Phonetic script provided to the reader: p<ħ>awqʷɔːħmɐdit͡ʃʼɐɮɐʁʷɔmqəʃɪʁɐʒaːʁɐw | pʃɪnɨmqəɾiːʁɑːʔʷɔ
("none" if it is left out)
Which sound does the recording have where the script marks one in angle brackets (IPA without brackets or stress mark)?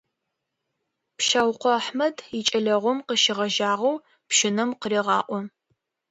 ʃ